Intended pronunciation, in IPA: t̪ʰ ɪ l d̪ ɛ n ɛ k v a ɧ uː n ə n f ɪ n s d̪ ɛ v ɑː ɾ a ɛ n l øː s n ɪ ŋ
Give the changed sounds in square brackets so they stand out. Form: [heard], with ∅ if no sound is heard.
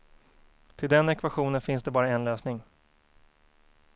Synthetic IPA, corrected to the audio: t̪ʰ ɪ l d̪ ɛ n ɛ k v a ɧ uː n ə n f ɪ n s d̪ ɛ [b] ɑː ɾ a ɛ n l øː s n ɪ ŋ